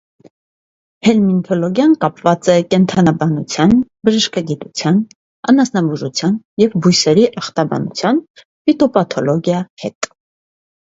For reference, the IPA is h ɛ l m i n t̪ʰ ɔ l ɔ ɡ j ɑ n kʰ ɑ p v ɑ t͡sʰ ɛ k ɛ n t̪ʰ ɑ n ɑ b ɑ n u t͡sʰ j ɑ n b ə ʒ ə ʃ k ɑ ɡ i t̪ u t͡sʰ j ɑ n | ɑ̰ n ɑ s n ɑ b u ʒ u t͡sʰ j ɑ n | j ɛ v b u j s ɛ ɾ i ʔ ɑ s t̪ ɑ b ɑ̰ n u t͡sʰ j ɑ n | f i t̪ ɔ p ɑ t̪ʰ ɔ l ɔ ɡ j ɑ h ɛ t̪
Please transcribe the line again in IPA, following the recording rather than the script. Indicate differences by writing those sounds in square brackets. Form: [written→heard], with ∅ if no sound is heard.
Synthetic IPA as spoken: h ɛ l m i n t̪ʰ ɔ l ɔ ɡ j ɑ n [kʰ→k] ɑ p v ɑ [t͡sʰ→t͡s] ɛ k ɛ n t̪ʰ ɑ n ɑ b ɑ n u t͡sʰ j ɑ n b ə ʒ ə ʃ k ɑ ɡ i t̪ u t͡sʰ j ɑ n | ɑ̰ n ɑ s n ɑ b u ʒ u t͡sʰ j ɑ n | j ɛ v b u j s ɛ ɾ i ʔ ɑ [s→χ] t̪ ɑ b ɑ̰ n u t͡sʰ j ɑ n | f i t̪ ɔ p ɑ t̪ʰ ɔ l ɔ ɡ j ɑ h ɛ t̪